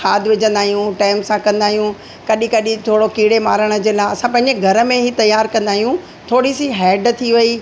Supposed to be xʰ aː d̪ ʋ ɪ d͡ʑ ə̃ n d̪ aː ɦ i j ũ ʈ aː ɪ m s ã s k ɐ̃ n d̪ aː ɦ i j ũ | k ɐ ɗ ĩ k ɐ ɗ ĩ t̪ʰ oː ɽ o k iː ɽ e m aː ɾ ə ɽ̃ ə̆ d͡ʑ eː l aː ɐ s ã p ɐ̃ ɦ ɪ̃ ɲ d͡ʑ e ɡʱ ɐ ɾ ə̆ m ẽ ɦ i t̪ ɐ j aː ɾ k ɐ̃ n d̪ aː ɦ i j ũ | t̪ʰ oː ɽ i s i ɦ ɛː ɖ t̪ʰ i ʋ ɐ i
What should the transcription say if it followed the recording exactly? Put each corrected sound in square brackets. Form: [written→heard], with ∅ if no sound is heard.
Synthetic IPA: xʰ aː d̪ ʋ ɪ d͡ʑ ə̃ n d̪ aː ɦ i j ũ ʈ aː ɪ m s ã [s→∅] k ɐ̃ n d̪ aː ɦ i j ũ | k ɐ ɗ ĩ k ɐ ɗ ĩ t̪ʰ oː ɽ o k iː ɽ e m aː ɾ ə ɽ̃ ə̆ d͡ʑ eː l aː ɐ s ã p ɐ̃ ɦ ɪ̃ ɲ d͡ʑ e ɡʱ ɐ ɾ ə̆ m ẽ ɦ i t̪ ɐ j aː ɾ k ɐ̃ n d̪ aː ɦ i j ũ | t̪ʰ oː ɽ i s i ɦ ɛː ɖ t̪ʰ i ʋ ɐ i